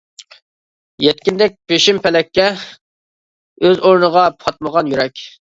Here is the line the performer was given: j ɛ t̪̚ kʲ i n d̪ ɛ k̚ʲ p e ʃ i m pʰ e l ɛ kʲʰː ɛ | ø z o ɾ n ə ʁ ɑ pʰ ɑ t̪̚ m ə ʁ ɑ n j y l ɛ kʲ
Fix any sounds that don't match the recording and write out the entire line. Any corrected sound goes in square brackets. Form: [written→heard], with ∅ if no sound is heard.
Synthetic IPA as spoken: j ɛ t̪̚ kʲ i n d̪ ɛ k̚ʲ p e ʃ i m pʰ [e→ɛ] l ɛ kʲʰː ɛ | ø z o ɾ n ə ʁ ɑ pʰ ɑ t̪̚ m ə ʁ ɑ n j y [l→ɾ] ɛ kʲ

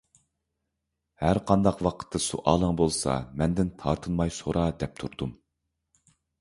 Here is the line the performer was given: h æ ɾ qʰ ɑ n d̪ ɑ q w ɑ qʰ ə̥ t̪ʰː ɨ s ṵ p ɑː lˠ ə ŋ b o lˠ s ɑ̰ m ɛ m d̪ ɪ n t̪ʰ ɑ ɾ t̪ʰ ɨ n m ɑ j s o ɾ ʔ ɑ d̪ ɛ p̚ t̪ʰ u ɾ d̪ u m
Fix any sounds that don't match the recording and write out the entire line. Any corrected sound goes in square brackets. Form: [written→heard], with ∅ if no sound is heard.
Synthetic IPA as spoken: h æ ɾ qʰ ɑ n d̪ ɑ q w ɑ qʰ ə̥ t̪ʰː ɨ s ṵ [p→ʔ] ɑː lˠ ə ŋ b o lˠ s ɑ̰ m ɛ [m→n] d̪ ɪ n t̪ʰ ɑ ɾ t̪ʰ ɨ n m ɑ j s o ɾ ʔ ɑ d̪ ɛ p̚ t̪ʰ u ɾ d̪ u m

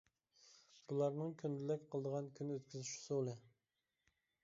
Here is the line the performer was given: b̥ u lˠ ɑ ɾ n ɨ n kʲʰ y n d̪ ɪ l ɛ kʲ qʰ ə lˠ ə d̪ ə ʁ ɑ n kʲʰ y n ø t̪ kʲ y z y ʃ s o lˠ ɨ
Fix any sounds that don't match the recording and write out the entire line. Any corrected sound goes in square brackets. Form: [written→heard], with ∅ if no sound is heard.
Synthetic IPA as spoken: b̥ u lˠ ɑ ɾ n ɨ [n→ŋ] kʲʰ y n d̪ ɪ l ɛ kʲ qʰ ə lˠ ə d̪ ə ʁ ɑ n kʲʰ y n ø t̪ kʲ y z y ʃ s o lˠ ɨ

